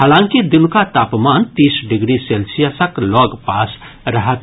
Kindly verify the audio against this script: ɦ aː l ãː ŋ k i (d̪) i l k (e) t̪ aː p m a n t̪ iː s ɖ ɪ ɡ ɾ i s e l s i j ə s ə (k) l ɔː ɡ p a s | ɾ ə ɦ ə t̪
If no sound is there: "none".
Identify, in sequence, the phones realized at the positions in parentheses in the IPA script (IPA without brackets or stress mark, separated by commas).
d̪, a, k